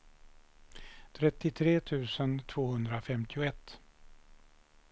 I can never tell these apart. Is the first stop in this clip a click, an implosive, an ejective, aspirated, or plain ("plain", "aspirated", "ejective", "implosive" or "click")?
aspirated